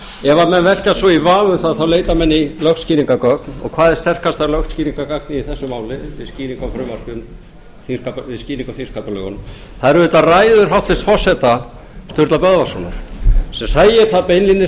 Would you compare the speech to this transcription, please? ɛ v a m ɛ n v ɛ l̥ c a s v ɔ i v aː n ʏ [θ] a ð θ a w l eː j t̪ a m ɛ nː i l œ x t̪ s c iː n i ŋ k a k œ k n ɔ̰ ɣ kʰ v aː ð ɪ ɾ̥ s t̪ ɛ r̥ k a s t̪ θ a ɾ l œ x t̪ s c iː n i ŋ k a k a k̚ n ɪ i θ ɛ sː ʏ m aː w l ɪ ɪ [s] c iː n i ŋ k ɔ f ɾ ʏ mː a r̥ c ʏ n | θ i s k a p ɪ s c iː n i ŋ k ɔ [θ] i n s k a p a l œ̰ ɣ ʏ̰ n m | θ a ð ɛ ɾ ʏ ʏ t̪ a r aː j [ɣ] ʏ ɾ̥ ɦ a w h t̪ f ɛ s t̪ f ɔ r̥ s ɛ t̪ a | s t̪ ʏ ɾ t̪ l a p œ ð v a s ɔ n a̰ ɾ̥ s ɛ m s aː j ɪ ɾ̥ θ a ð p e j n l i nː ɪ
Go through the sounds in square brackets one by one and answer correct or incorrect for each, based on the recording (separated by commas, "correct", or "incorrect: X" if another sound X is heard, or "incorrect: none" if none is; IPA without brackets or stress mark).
correct, correct, correct, incorrect: ð